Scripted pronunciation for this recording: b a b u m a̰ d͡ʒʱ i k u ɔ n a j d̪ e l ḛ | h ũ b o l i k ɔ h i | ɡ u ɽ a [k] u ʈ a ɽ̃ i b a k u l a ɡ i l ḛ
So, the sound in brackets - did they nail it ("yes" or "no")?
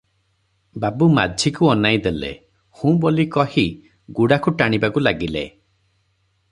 yes